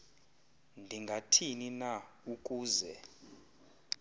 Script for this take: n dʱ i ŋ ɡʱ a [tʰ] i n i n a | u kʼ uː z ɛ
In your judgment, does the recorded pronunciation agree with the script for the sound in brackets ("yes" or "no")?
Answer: yes